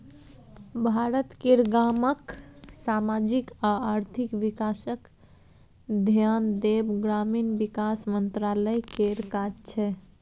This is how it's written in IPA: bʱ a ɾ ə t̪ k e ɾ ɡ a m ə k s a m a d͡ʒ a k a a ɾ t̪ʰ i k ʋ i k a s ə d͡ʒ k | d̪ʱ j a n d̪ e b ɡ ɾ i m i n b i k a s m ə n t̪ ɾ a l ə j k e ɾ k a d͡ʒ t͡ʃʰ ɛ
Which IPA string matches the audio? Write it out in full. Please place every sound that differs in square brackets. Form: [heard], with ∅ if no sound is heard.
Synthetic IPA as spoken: bʱ a ɾ ə t̪ k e ɾ ɡ a m ə k s a m a d͡ʒ [i] k a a ɾ t̪ʰ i k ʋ i k a s ə [∅] k | d̪ʱ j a n d̪ e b ɡ ɾ [a] m i n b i k a s m ə n t̪ ɾ a l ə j k e ɾ k a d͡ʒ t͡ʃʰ ɛ